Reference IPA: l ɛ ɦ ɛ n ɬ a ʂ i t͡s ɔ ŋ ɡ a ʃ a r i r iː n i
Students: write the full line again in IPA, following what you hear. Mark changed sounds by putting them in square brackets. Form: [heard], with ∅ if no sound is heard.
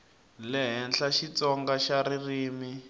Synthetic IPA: l ɛ ɦ ɛ n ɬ a [ʃ] i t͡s ɔ ŋ ɡ a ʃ a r i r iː [m] i

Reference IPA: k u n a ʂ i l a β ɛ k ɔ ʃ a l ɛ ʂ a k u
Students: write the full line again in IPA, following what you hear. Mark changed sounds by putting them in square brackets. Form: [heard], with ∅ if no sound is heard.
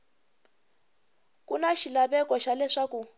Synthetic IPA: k u n a [ʃ] i l a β ɛ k ɔ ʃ a l ɛ ʂ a k u

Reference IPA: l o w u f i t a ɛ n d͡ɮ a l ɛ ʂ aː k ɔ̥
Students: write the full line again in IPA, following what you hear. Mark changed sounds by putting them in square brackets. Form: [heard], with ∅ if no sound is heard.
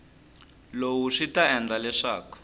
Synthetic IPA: l o w u [ʂ] i t a ɛ n d͡ɮ a l ɛ ʂ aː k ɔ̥

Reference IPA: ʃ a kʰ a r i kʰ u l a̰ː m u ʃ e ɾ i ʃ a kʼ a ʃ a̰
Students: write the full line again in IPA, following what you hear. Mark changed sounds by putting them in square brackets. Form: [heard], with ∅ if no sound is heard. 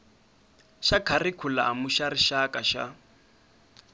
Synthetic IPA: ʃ a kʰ a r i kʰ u l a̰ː m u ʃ [a] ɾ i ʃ a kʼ a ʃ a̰

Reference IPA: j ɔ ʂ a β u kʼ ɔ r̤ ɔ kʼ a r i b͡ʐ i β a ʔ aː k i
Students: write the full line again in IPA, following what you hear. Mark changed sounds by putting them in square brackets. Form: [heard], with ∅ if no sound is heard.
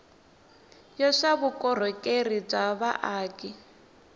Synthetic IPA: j ɔ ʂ a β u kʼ ɔ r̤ ɔ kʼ [e] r i b͡ʐ [a] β a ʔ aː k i

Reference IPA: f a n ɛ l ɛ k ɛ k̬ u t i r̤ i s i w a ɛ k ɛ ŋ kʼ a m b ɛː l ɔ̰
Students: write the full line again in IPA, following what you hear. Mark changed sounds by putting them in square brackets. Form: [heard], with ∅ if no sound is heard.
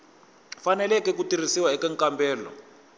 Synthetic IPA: f a n ɛ l ɛ k ɛ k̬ u t i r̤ i s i w a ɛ k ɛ ŋ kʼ a m b ɛː l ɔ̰

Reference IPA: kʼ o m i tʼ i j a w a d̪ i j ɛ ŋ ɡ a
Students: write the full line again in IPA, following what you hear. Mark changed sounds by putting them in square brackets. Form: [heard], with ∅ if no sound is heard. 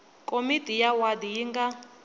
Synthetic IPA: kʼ o m i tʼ i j a w a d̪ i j [i] ŋ ɡ a

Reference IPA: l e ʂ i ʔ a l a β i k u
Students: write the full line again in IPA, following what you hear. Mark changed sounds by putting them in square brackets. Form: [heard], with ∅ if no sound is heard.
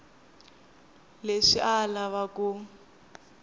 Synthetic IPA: l e ʂ i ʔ a l a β [a] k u

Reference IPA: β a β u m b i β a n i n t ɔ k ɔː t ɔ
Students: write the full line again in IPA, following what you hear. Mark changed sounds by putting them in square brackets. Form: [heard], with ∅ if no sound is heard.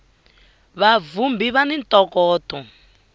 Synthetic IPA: β a [v] u m b i β a n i n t ɔ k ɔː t ɔ

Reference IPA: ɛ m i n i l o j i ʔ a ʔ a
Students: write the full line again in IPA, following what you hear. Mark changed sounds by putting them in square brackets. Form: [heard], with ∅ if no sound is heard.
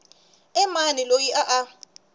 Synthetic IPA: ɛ m [a] n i l o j i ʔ a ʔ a

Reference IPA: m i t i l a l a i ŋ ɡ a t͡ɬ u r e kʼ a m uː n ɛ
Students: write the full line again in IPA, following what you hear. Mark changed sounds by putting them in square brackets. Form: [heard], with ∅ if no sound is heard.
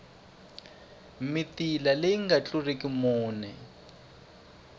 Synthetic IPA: m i t i l a l [e] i ŋ ɡ a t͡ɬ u r e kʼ [i] m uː n ɛ

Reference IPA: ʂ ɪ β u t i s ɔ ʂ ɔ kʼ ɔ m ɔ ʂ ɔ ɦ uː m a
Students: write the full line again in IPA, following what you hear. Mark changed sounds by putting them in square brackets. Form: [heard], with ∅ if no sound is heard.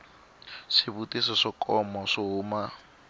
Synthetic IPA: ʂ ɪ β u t i s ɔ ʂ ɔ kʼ ɔ m ɔ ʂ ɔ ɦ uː m a

